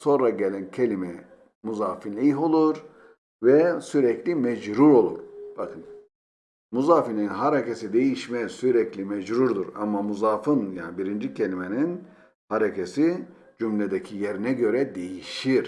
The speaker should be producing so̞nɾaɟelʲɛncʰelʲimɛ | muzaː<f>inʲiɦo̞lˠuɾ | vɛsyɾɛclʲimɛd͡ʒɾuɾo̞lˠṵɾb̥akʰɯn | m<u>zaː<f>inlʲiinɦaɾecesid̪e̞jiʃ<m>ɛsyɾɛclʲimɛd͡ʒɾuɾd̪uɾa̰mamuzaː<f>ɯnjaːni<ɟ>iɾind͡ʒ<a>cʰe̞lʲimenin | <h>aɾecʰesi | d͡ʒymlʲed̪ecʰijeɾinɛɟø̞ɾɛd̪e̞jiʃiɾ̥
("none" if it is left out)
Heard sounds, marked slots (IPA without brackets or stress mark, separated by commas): f, u, f, m, f, b, i, h